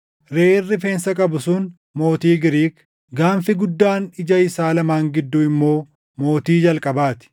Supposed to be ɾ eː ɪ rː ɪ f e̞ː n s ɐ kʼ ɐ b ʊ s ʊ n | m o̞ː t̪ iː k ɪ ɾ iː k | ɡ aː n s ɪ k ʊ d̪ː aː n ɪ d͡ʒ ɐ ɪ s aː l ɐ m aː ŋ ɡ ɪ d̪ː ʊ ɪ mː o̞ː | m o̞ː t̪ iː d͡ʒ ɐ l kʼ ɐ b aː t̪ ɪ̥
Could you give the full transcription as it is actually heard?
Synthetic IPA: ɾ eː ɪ rː ɪ f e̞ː n s ɐ kʼ ɐ b ʊ s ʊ n | m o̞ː t̪ iː ɡ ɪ ɾ iː k | ɡ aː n f ɪ ɡ ʊ d̪ː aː n ɪ d͡ʒ ɐ ɪ s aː l ɐ m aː ŋ ɡ ɪ d̪ː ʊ ɪ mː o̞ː | m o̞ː t̪ iː d͡ʒ ɐ l kʼ ɐ b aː t̪ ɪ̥